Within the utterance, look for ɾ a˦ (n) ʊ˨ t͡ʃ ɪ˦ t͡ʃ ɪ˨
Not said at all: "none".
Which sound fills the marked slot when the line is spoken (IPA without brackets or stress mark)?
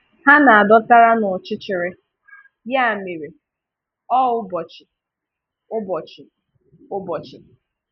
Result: n